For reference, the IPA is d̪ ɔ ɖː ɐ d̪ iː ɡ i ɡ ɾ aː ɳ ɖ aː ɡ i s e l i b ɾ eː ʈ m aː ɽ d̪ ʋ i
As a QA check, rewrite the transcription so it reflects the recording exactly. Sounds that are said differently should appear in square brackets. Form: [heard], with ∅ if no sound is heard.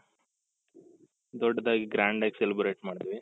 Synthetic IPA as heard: d̪ ɔ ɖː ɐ d̪ [aː] ɡ i ɡ ɾ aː ɳ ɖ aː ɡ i s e l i b ɾ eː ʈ m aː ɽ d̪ ʋ i